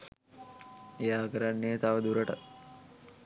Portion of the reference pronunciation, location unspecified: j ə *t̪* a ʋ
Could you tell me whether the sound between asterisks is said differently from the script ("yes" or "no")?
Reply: no